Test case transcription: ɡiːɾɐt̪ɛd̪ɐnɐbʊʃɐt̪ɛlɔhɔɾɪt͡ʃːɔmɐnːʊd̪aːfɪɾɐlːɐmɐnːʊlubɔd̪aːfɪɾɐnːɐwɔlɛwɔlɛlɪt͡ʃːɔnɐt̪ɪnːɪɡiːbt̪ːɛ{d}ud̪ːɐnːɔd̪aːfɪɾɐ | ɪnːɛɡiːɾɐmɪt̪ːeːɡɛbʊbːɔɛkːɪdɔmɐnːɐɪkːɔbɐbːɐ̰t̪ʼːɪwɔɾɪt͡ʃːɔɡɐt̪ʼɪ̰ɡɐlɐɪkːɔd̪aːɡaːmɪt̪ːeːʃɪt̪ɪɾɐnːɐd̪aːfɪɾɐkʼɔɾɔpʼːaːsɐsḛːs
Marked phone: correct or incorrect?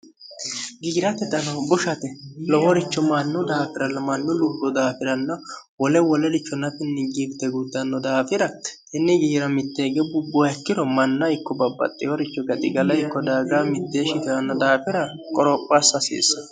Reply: incorrect